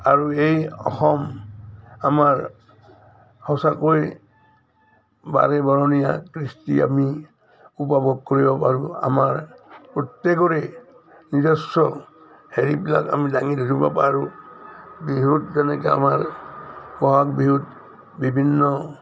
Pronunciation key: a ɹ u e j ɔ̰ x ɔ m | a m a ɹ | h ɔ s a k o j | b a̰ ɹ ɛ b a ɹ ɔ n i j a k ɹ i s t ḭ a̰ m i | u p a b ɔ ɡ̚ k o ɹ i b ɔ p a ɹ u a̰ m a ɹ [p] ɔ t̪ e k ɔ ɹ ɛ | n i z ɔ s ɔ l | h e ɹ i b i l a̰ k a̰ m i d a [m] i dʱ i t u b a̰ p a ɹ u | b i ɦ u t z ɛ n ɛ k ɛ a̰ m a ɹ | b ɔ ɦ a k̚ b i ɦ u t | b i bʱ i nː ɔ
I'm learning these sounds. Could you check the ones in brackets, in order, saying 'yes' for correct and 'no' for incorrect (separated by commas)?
yes, no